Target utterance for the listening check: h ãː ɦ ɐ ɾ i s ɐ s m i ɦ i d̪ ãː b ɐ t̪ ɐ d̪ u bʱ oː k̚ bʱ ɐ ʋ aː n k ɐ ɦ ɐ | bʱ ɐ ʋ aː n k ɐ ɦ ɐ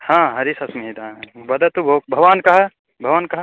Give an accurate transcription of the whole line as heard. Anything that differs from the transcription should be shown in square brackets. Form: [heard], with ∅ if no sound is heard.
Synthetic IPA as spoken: h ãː ɦ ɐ ɾ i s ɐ s m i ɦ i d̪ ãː b ɐ [d̪] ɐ [t̪] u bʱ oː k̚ bʱ ɐ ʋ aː n k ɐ ɦ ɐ | bʱ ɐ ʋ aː n k ɐ ɦ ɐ

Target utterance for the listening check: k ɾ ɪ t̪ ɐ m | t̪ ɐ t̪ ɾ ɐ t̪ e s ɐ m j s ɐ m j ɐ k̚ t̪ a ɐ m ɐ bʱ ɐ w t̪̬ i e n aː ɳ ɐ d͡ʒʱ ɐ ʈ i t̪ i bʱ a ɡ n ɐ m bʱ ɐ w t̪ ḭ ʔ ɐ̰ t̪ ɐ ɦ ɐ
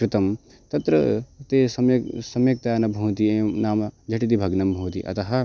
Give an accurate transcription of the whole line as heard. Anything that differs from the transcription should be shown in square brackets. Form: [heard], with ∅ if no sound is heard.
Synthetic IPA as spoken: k ɾ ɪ t̪ ɐ m | t̪ ɐ t̪ ɾ ɐ t̪ e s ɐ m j s ɐ m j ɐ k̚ t̪ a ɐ [n] ɐ bʱ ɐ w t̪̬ i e n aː [m] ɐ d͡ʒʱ ɐ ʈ i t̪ i bʱ [ɐ] ɡ n ɐ m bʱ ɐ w t̪ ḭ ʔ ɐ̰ t̪ ɐ ɦ ɐ

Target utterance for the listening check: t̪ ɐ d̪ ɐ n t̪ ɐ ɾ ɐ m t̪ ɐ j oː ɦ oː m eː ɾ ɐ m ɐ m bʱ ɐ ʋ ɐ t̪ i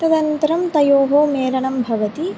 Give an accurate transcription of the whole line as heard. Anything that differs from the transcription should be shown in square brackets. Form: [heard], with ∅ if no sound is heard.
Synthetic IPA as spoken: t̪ ɐ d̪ ɐ n t̪ ɐ ɾ ɐ m t̪ ɐ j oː ɦ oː m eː ɾ ɐ [ɳ] ɐ m bʱ ɐ ʋ ɐ t̪ i

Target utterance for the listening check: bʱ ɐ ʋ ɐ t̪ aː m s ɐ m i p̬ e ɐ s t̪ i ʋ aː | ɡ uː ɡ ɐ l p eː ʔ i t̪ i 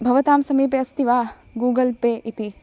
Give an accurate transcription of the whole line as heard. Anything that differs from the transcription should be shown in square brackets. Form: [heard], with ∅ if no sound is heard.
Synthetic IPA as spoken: bʱ ɐ ʋ ɐ t̪ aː m s ɐ m [iː] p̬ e ɐ s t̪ i ʋ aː | ɡ uː ɡ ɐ l p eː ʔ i t̪ i

